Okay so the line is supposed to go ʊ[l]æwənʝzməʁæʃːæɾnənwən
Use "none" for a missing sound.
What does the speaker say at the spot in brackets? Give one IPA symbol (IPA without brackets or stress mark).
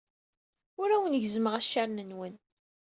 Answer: ɾ